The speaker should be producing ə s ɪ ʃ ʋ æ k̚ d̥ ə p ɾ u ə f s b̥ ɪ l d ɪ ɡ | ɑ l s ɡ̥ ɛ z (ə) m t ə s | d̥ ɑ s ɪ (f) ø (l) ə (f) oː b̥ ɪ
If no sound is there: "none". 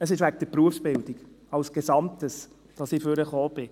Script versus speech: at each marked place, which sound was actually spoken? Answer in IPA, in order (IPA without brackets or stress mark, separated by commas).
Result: ɑ, f, ɾ, χ